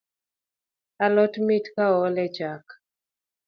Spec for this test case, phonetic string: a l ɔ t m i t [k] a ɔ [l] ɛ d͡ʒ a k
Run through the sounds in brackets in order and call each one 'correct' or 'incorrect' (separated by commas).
correct, correct